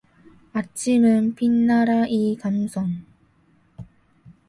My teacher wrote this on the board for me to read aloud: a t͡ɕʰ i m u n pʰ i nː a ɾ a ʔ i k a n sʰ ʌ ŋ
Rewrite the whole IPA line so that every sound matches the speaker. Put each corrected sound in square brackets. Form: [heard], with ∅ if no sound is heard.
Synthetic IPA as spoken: a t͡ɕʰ i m [ɯ] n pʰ i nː a ɾ a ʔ i k a [m] sʰ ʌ ŋ